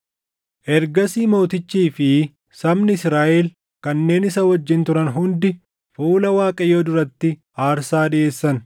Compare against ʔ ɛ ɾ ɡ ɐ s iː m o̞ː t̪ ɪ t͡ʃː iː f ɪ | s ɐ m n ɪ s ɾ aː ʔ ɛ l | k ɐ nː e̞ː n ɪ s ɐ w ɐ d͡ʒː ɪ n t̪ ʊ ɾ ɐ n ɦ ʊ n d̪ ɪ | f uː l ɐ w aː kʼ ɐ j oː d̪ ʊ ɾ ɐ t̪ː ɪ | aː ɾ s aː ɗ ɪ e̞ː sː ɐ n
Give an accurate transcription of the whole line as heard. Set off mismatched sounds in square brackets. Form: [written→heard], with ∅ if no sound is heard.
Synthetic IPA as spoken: ʔ ɛ ɾ ɡ ɐ s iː m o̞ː t̪ ɪ t͡ʃː iː f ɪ | s ɐ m n ɪ s ɾ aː ʔ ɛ l | k ɐ nː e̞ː n ɪ s ɐ w ɐ d͡ʒː ɪ n t̪ ʊ ɾ ɐ n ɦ ʊ n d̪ ɪ | f uː l ɐ w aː kʼ ɐ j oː d̪ ʊ ɾ ɐ t̪ː ɪ | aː ɾ s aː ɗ ɪ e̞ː sː ɐ n

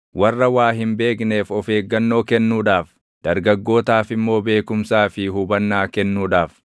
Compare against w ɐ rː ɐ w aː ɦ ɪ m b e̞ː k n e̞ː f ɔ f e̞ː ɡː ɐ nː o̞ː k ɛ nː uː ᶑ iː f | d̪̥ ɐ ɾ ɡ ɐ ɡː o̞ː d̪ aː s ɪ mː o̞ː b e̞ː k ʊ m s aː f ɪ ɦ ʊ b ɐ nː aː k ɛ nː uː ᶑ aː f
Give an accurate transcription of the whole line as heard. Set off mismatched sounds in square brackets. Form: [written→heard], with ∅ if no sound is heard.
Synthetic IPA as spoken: w ɐ rː ɐ w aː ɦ ɪ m b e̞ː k n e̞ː f ɔ f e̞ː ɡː ɐ nː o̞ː k ɛ nː uː ᶑ [iː→aː] f | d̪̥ ɐ ɾ ɡ ɐ ɡː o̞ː [d̪→t̪] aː [s→f] ɪ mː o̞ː b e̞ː k ʊ m s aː f ɪ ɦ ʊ b ɐ nː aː k ɛ nː uː ᶑ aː f

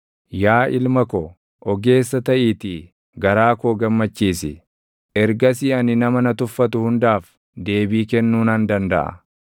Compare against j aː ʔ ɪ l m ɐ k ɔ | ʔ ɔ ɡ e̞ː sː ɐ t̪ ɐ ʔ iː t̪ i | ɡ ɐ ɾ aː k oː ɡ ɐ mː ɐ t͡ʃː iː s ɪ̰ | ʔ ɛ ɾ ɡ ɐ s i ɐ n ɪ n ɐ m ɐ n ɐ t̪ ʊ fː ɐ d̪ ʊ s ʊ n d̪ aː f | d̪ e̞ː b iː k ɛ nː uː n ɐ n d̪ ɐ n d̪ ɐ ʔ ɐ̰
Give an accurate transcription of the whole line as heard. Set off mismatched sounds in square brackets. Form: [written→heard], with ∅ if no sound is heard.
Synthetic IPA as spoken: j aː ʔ ɪ l m ɐ k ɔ | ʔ ɔ ɡ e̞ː sː ɐ t̪ ɐ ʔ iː t̪ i | ɡ ɐ ɾ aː k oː ɡ ɐ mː ɐ t͡ʃː iː s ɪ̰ | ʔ ɛ ɾ ɡ ɐ s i ɐ n ɪ n ɐ m ɐ n ɐ t̪ ʊ fː ɐ [d̪→t̪] ʊ [s→h] ʊ n d̪ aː f | d̪ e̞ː b iː k ɛ nː uː n ɐ n d̪ ɐ n d̪ ɐ ʔ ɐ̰

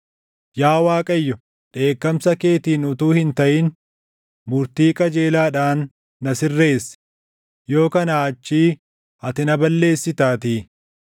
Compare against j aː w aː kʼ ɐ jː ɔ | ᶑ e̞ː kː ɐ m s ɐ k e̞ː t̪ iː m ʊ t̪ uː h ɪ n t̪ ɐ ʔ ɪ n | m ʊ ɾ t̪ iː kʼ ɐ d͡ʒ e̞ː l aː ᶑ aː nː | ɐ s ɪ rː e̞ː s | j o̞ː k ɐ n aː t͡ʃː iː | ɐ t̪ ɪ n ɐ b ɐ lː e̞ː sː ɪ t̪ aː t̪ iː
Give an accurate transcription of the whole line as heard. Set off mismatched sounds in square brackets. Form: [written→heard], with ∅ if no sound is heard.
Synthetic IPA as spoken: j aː w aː kʼ ɐ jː ɔ | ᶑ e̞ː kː ɐ m s ɐ k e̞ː t̪ iː [m→n] ʊ t̪ uː h ɪ n t̪ ɐ ʔ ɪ n | m ʊ ɾ t̪ iː kʼ ɐ d͡ʒ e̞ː l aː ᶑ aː nː | ɐ s ɪ rː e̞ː s | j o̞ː k ɐ n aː t͡ʃː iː | ɐ t̪ ɪ n ɐ b ɐ lː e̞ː sː ɪ t̪ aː t̪ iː

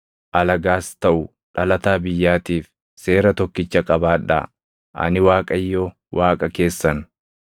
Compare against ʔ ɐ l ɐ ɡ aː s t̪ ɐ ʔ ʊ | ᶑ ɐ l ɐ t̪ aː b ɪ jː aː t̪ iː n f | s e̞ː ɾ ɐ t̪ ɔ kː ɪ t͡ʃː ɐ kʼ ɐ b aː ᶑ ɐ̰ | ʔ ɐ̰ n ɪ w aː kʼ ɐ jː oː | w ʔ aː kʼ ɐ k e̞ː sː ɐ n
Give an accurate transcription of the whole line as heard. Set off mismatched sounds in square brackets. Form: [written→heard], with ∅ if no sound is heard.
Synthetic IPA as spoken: ʔ ɐ l ɐ ɡ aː s t̪ ɐ ʔ ʊ | ᶑ ɐ l ɐ t̪ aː b ɪ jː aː t̪ iː [n→∅] f | s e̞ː ɾ ɐ t̪ ɔ kː ɪ t͡ʃː ɐ kʼ ɐ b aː ᶑ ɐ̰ | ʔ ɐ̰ n ɪ w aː kʼ ɐ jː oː | w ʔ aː kʼ ɐ k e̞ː sː ɐ n

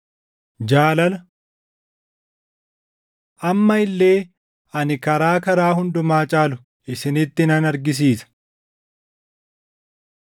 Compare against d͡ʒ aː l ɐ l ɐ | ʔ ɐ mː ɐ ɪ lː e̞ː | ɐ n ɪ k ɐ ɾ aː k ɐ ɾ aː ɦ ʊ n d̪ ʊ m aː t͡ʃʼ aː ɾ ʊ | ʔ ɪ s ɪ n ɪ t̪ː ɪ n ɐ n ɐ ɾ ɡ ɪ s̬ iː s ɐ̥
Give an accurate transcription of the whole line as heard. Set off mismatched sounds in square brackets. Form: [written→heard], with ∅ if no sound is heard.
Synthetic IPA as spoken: d͡ʒ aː l ɐ l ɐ | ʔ ɐ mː ɐ ɪ lː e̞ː | ɐ n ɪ k ɐ ɾ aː k ɐ ɾ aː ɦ ʊ n d̪ ʊ m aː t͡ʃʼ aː [ɾ→l] ʊ | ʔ ɪ s ɪ n ɪ t̪ː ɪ n ɐ n ɐ ɾ ɡ ɪ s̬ iː s ɐ̥

